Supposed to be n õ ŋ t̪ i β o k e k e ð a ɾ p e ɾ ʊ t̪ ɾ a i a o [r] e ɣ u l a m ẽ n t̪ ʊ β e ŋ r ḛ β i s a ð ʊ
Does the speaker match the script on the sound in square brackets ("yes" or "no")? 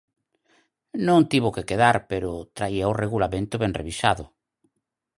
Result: yes